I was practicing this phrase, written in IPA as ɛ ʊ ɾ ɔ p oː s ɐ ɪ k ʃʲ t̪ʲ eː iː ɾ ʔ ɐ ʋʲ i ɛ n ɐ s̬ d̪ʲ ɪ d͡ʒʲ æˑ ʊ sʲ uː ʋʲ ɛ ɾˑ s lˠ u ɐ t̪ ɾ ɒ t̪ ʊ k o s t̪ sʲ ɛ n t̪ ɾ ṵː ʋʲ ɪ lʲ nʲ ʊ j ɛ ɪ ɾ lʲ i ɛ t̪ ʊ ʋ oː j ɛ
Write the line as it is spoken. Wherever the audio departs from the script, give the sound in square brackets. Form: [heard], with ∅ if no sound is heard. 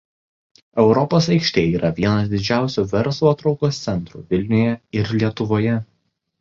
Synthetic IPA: ɛ ʊ ɾ ɔ p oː s ɐ ɪ k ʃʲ t̪ʲ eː iː ɾ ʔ ɐ ʋʲ i ɛ n ɐ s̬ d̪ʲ ɪ d͡ʒʲ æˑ ʊ sʲ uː ʋʲ ɛ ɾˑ s lˠ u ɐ t̪ ɾ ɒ [∅] ʊ k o s t̪ sʲ ɛ n t̪ ɾ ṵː ʋʲ ɪ lʲ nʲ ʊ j ɛ ɪ ɾ lʲ i ɛ t̪ ʊ ʋ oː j ɛ